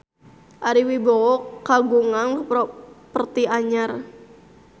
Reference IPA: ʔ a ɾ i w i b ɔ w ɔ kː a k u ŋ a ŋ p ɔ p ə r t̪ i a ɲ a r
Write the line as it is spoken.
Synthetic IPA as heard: ʔ a ɾ i w i b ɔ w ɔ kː a ɡ u ŋ a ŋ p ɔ p ə r t̪ i a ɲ a r